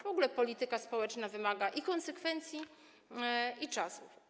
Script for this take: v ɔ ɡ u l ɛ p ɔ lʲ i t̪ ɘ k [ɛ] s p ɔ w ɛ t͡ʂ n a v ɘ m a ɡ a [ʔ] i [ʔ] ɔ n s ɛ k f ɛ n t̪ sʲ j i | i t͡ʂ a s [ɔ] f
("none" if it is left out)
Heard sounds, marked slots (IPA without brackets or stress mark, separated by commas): a, ʔ, k, u